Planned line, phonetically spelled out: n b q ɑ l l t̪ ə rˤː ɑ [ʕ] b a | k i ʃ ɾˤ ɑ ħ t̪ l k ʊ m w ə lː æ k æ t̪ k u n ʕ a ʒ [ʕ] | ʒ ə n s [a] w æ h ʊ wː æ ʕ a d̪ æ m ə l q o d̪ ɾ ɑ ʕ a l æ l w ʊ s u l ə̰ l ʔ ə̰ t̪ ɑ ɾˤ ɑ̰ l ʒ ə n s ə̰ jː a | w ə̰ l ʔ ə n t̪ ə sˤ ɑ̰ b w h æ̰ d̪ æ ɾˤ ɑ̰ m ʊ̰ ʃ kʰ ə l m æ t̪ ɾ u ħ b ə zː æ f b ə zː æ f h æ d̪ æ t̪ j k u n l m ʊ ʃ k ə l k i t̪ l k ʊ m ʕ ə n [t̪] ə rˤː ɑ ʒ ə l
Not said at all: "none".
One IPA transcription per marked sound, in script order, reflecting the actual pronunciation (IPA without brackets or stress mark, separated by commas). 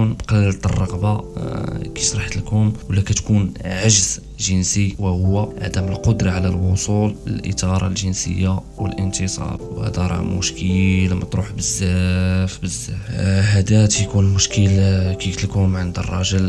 ɣ, z, i, d̪